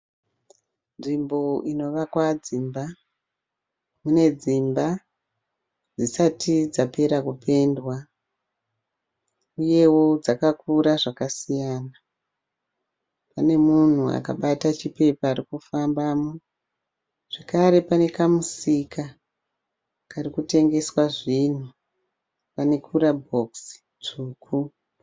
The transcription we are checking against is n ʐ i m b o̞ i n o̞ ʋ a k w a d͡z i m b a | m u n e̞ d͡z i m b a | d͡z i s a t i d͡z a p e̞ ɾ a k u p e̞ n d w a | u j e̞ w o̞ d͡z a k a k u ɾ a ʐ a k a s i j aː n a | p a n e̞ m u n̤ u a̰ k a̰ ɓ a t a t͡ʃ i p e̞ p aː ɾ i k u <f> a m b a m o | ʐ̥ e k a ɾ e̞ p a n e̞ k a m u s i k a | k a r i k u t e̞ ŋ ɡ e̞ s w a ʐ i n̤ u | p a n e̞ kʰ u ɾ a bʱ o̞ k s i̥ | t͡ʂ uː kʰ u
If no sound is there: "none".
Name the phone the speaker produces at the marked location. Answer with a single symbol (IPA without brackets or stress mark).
f